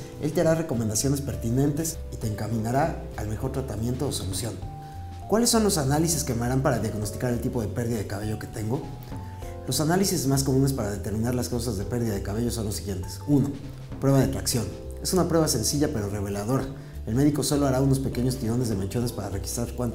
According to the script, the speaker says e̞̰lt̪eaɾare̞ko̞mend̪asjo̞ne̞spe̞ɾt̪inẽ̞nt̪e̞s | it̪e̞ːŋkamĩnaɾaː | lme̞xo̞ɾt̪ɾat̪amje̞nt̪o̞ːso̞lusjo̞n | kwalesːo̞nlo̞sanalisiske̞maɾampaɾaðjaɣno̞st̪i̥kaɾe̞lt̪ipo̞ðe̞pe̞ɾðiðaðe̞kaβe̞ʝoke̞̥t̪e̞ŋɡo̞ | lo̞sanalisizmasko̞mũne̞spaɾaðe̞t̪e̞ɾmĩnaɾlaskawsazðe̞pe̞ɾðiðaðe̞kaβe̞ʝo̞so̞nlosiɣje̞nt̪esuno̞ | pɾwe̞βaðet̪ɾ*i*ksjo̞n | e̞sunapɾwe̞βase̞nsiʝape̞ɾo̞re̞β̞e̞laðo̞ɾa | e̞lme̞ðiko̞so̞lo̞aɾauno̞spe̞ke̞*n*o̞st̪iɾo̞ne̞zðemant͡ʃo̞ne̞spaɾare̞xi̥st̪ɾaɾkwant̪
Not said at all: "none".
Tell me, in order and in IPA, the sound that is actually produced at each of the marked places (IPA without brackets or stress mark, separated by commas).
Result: a, ɲ